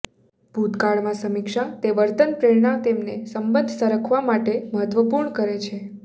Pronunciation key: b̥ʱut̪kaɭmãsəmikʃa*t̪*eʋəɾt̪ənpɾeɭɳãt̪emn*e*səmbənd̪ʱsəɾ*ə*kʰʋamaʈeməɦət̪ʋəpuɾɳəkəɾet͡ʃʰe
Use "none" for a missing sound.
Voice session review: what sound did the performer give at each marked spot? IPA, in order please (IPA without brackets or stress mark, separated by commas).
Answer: t̪, e, ə